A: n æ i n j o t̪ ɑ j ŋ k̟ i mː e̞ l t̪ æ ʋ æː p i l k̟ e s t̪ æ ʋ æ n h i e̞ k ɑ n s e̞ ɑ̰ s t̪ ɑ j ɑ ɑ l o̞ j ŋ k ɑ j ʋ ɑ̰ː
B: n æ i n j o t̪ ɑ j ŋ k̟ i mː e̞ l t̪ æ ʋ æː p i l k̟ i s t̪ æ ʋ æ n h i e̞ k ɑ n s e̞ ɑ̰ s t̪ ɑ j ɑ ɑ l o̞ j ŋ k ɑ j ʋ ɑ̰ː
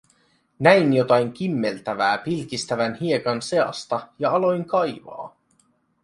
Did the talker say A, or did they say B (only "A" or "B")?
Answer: B